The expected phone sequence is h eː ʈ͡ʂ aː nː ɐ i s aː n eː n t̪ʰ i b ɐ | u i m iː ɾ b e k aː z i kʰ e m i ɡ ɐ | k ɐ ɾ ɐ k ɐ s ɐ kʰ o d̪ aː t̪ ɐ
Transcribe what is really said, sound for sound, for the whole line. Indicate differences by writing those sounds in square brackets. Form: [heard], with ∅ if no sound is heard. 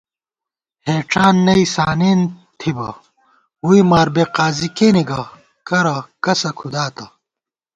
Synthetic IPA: h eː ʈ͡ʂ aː nː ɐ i s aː n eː n t̪ʰ i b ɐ | u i m [aː] ɾ b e [q] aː z i [k] e [n] i ɡ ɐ | k ɐ ɾ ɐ k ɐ s ɐ kʰ [u] d̪ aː t̪ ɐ